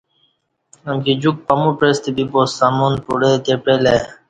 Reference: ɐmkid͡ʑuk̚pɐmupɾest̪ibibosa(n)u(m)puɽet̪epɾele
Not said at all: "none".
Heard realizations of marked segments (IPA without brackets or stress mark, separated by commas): m, n